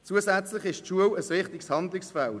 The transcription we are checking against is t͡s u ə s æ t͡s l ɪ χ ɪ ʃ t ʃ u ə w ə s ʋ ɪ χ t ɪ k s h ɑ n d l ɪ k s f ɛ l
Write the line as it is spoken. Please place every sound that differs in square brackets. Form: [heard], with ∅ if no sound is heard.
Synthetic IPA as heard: t͡s u ə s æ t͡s l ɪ χ ɪ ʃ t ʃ u ə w ə s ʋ ɪ χ t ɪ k s h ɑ n d l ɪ k s f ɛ l